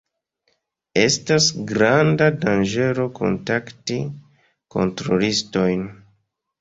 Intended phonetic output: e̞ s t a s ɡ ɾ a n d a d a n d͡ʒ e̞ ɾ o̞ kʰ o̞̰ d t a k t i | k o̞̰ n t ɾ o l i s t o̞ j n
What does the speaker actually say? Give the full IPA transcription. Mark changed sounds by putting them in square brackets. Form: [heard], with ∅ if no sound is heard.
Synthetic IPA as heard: e̞ s t a s ɡ ɾ a n d a d a n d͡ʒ e̞ ɾ o̞ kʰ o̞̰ [n] t a k t i | k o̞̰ n t ɾ o l i s t o̞ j n

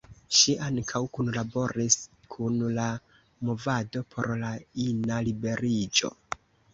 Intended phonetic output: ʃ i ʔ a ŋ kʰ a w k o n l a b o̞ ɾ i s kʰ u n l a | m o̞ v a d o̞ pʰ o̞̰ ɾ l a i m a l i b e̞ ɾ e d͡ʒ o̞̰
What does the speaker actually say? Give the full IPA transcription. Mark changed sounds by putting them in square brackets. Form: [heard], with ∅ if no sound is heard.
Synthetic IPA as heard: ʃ i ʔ a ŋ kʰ a w k [u] n l a b o̞ ɾ i s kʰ u n l a | m o̞ v a d o̞ pʰ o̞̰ ɾ l a i [n] a l i b e̞ ɾ [i] d͡ʒ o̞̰

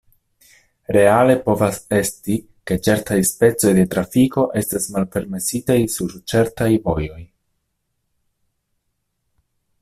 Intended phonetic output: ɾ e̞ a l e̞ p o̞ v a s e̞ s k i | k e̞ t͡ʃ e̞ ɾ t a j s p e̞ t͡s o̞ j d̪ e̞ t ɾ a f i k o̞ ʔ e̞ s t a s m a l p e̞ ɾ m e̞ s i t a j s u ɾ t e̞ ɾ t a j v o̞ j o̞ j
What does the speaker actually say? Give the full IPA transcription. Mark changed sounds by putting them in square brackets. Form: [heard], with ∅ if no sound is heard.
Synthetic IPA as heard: ɾ e̞ a l e̞ p o̞ v a s e̞ s [t] i | k e̞ t͡ʃ e̞ ɾ t a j s p e̞ t͡s o̞ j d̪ e̞ t ɾ a f i k o̞ ʔ e̞ s t a s m a l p e̞ ɾ m e̞ s i t a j s u ɾ [t͡ʃ] e̞ ɾ t a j v o̞ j o̞ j

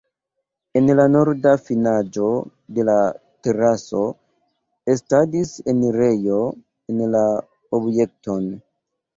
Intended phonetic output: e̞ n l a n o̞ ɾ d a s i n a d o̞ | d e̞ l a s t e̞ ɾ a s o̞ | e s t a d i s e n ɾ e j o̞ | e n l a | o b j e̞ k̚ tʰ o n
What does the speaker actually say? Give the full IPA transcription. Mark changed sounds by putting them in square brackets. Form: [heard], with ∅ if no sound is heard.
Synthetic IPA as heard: e̞ n l a n o̞ ɾ d a [f] i n a [d͡ʒ] o̞ | d e̞ l a [∅] t e̞ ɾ a s o̞ | e s t a d i s e n ɾ e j o̞ | e n l a | o b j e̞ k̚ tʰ o n

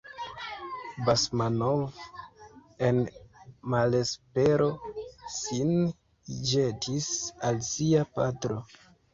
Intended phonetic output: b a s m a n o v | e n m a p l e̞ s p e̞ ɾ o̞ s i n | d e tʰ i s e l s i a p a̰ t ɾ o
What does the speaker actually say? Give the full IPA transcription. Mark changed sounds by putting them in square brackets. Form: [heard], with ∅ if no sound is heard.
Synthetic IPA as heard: b a s m a n o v | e n m a [∅] l e̞ s p e̞ ɾ o̞ s i n | [d͡ʒ] e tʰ i s [a] l s i a p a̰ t ɾ o

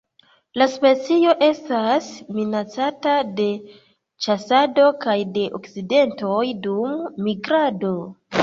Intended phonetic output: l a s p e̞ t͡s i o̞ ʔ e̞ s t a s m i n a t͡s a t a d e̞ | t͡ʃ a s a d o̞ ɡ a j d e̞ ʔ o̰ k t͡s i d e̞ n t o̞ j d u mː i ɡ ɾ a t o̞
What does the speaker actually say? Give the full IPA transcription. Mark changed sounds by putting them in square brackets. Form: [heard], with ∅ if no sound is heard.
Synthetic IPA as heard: l a s p e̞ t͡s i o̞ ʔ e̞ s t a s m i n a t͡s a t a d e̞ | t͡ʃ a s a d o̞ [k] a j d e̞ ʔ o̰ k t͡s i d e̞ n t o̞ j d u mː i ɡ ɾ a [d] o̞

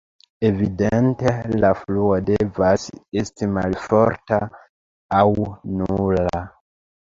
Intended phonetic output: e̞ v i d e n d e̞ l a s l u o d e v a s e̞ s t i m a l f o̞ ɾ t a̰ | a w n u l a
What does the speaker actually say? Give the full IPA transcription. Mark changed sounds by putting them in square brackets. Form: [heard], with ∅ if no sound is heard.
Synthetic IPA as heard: e̞ v i d e n [t] e̞ l a [f] l u o d e v a s e̞ s t i m a l f o̞ ɾ t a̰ | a w n u l a

